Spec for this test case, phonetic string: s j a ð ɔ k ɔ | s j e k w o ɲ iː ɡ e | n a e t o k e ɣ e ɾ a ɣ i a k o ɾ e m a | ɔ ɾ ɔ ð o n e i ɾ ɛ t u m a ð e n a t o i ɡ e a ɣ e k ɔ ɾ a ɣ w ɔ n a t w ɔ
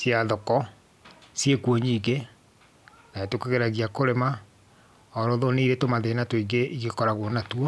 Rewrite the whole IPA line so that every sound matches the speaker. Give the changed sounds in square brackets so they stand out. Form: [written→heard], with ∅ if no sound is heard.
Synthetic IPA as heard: s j a ð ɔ k ɔ | s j e k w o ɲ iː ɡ e | n a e t o k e ɣ e ɾ a ɣ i a k o ɾ e m a | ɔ ɾ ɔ ð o n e i ɾ [ɛ→e] t [u→o] m a ð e n a t o i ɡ e [a→i] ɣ e k ɔ ɾ a ɣ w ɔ n a t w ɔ